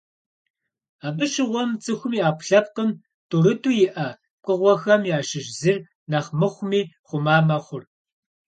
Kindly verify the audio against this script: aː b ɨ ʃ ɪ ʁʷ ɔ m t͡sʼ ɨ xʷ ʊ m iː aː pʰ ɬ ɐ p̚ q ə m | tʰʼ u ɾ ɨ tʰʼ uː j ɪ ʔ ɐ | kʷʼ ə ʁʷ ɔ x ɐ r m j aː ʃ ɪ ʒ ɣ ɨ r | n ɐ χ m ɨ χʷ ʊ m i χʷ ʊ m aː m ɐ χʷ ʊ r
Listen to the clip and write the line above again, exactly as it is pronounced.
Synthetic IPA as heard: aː b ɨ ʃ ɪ ʁʷ ɔ m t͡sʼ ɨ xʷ ʊ m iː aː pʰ ɬ ɐ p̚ q ə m | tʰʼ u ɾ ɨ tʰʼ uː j ɪ ʔ ɐ | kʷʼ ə ʁʷ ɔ x ɐ m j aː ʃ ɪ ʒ z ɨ r | n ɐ χ m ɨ χʷ ʊ m iː χʷ ʊ m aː m ɐ χʷ ʊ r